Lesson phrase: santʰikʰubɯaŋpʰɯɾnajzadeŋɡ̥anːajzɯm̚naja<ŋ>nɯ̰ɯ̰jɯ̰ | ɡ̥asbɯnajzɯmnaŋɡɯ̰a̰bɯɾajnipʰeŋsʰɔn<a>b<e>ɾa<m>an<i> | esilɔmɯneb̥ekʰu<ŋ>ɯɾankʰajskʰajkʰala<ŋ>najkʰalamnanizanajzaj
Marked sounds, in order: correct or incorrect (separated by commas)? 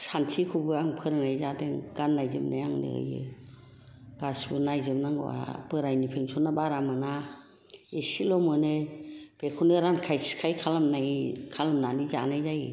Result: correct, correct, incorrect, correct, incorrect, incorrect, incorrect